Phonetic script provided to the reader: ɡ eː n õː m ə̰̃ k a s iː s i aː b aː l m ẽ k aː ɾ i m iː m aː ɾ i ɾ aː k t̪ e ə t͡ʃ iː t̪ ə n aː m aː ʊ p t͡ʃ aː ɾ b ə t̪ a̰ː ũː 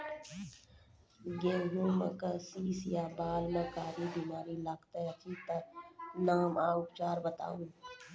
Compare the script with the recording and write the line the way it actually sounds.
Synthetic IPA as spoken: ɡ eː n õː m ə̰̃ k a s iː s j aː b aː l m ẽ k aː ɾ i b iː m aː ɾ i l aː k t̪ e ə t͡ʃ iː t̪ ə n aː m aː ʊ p t͡ʃ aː ɾ b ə t̪ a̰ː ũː